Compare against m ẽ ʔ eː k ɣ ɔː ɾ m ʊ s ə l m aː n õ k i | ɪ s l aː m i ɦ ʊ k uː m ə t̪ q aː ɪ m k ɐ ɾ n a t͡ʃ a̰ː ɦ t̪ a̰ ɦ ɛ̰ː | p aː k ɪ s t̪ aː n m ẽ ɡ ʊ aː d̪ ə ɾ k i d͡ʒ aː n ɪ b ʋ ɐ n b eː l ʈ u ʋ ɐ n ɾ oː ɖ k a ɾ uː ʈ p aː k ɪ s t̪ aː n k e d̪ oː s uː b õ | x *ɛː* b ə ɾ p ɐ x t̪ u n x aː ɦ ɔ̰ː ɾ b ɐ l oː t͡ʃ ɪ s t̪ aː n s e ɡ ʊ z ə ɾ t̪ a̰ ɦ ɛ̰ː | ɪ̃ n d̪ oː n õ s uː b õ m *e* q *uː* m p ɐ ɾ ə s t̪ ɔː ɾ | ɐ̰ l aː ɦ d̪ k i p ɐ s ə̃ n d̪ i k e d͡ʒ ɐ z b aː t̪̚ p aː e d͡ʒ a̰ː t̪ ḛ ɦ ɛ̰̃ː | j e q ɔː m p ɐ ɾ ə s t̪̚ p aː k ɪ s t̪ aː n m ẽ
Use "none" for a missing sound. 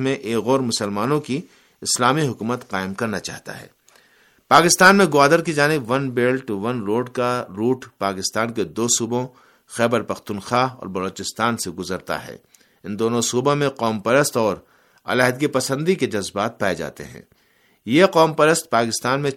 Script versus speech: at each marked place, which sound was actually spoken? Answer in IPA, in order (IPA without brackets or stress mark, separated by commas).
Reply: ɛː, ẽ, ɔː